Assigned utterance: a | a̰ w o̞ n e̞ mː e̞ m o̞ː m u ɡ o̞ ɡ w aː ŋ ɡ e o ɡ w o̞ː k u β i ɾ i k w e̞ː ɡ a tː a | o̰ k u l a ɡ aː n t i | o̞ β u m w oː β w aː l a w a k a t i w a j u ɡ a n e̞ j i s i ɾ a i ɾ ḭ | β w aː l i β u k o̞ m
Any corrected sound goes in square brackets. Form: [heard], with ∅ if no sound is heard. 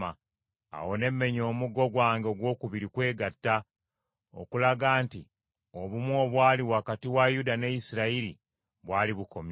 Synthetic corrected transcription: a | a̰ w o̞ n e̞ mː e̞ [ɲ] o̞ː m u ɡ o̞ ɡ w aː ŋ ɡ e o ɡ w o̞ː k u β i ɾ i k w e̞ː ɡ a tː a | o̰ k u l a ɡ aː n t i | o̞ β u m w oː β w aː l [i] w a k a t i w a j u [d] a n e̞ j i s i ɾ a i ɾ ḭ | β w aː l i β u k o̞ m